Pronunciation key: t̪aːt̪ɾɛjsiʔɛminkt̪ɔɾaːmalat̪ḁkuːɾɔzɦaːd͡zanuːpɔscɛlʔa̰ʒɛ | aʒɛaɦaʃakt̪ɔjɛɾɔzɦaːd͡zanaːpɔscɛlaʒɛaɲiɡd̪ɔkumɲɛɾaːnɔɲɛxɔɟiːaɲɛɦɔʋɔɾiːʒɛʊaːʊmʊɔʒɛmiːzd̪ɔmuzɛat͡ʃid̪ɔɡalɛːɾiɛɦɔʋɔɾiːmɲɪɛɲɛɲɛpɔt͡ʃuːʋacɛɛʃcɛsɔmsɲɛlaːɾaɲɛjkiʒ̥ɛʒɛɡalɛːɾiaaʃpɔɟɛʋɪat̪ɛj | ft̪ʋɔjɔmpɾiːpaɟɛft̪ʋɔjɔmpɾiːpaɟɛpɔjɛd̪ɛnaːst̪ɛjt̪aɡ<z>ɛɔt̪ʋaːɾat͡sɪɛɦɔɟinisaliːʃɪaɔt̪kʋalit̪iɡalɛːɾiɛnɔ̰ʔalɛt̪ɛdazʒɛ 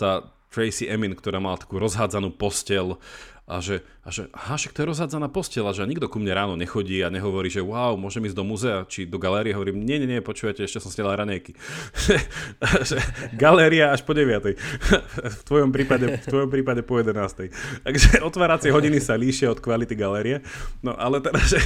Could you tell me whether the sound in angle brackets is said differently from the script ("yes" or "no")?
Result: yes